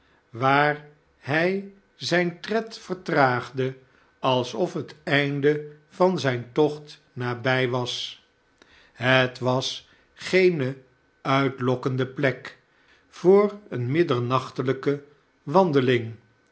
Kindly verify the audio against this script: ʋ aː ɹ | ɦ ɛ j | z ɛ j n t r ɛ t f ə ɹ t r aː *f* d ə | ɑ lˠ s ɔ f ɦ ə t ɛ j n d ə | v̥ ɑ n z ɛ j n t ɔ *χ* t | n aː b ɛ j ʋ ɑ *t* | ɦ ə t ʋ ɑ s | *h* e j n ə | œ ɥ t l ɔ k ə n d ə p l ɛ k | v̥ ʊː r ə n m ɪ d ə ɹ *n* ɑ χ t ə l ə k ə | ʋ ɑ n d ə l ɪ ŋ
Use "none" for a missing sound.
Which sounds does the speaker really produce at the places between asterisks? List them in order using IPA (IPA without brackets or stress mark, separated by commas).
χ, χ, s, χ, n